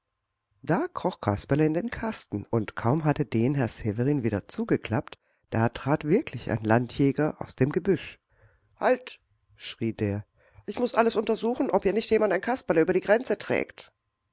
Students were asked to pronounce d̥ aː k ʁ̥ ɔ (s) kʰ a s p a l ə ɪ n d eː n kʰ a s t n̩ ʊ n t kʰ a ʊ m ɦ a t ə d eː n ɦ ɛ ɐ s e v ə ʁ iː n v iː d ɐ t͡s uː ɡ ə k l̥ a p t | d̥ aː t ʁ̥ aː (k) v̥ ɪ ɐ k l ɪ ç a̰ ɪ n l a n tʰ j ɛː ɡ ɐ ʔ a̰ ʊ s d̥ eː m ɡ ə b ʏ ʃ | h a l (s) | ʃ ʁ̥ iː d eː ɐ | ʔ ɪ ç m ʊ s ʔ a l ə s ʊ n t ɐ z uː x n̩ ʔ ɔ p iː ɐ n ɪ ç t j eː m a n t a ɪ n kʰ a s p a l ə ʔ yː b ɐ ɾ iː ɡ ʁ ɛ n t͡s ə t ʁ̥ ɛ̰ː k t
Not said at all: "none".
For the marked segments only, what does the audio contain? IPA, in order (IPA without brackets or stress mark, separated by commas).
χ, t, t